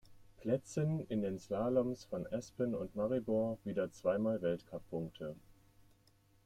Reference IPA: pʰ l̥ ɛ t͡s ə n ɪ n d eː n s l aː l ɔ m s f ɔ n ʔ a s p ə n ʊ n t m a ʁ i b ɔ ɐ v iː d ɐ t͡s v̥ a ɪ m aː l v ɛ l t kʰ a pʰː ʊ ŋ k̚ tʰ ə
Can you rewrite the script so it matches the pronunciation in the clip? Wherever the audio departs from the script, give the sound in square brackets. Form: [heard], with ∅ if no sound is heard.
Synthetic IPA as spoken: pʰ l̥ ɛ t͡s ə n ɪ n d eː n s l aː l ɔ m s f ɔ n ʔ [ɛ] s p ə n ʊ n t m a ʁ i b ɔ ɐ v iː d ɐ t͡s v̥ a ɪ m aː l v ɛ l t kʰ a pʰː ʊ ŋ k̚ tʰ ə